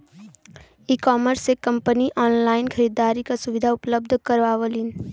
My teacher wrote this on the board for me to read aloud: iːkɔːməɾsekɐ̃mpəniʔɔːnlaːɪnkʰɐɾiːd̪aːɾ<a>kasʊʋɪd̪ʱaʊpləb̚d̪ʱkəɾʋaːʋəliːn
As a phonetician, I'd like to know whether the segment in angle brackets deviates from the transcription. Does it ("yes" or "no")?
yes